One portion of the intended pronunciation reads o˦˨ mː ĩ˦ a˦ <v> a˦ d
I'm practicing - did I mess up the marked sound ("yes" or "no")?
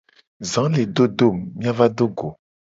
no